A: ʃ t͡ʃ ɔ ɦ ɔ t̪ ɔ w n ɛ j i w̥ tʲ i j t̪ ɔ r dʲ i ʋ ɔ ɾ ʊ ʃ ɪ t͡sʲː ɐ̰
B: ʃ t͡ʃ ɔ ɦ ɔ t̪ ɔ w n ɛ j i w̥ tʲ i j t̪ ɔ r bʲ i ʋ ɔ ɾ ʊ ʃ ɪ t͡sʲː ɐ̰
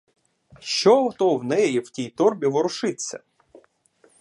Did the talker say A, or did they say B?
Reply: B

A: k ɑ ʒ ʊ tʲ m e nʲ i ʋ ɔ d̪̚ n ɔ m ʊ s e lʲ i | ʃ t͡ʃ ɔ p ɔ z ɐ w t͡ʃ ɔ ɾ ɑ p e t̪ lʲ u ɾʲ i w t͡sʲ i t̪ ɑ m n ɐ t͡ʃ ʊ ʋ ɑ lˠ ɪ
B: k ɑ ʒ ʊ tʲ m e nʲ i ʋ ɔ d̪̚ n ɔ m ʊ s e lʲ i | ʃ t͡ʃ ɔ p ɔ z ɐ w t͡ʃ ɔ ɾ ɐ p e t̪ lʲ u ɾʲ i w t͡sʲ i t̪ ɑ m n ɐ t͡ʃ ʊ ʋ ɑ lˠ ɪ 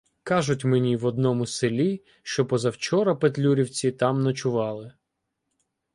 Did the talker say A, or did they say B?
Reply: B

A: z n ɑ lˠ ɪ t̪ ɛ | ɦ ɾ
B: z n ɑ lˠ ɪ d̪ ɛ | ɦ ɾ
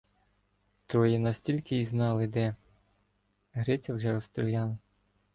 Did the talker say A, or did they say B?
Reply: B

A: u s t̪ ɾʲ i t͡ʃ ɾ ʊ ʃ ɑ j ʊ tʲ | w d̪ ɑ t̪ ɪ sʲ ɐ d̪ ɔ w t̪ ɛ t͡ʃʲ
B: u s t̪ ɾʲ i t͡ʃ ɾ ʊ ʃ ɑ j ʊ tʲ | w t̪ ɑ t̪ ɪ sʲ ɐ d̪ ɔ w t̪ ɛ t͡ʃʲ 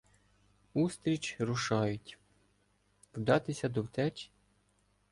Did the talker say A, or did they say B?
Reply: A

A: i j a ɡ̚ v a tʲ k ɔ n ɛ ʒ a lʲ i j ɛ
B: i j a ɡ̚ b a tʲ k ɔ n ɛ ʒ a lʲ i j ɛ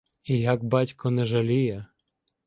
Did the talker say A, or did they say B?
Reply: B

